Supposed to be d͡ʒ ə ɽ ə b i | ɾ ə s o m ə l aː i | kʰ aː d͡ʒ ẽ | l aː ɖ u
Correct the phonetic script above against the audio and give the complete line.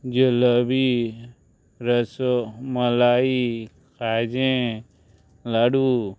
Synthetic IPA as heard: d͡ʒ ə l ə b i | ɾ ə s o m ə l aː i | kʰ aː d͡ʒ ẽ | l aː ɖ u

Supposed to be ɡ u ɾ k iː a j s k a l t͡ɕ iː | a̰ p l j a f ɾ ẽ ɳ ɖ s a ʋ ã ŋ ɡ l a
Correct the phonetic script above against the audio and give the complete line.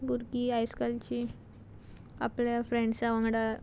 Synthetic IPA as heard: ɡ u ɾ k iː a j s k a l t͡ɕ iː | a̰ p l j a f ɾ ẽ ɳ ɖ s a ʋ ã ŋ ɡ ɽ a

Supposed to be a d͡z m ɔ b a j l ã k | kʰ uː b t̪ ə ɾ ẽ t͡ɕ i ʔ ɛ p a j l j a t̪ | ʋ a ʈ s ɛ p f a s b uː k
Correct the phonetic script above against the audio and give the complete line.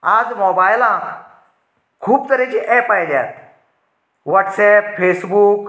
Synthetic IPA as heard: a d͡z m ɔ b a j l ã k | kʰ uː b t̪ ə ɾ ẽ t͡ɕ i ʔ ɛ p a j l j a t̪ | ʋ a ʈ s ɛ p f e s b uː k

